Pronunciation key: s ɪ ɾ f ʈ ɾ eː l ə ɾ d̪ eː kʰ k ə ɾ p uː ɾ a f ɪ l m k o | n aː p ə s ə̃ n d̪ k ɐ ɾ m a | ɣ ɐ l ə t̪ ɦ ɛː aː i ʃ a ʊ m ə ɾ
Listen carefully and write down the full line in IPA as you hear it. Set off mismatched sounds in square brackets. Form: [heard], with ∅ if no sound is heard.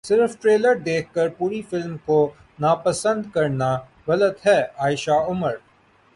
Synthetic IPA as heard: s ɪ ɾ f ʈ ɾ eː l ə ɾ d̪ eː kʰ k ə ɾ p uː ɾ [i] f ɪ l m k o | n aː p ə s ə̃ n d̪ k ɐ ɾ [n] a | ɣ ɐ l ə t̪ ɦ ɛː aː [ɪ] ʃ a ʊ m ə ɾ